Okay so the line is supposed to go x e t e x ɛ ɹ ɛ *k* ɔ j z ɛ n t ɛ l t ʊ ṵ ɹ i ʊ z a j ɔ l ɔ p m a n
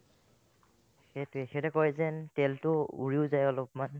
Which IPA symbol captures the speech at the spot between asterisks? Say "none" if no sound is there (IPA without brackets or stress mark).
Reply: k